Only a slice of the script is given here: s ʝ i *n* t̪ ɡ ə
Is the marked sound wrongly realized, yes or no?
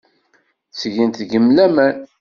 no